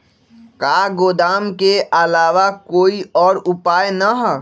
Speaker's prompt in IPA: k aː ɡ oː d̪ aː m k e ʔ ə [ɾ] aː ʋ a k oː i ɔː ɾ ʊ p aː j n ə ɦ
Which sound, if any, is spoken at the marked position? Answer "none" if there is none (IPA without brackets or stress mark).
l